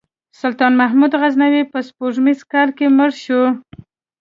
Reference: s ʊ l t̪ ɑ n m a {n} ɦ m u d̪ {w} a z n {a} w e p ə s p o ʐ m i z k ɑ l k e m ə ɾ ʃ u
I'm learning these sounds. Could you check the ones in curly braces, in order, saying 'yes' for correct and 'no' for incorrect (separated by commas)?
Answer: no, no, yes